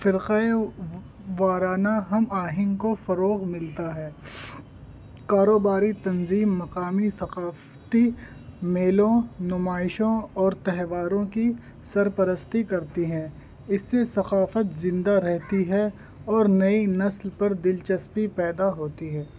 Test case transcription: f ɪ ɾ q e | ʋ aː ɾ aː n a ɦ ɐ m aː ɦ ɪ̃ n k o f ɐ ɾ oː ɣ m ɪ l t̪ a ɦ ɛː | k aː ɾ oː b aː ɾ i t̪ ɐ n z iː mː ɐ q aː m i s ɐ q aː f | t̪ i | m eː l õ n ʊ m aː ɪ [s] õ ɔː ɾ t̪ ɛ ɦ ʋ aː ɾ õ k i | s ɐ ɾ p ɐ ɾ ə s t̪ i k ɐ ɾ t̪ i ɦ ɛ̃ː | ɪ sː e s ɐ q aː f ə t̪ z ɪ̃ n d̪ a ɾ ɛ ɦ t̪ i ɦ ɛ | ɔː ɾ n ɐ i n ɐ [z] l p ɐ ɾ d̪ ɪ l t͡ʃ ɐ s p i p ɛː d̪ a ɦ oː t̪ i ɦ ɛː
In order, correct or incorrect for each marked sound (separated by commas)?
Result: incorrect, incorrect